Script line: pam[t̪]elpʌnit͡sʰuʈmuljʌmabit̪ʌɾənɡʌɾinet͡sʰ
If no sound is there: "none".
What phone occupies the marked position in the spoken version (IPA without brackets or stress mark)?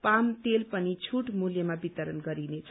t̪